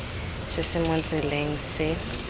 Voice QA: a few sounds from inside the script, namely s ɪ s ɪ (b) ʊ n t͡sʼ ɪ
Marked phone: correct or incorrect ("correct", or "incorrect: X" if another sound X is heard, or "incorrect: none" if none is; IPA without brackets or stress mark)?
incorrect: m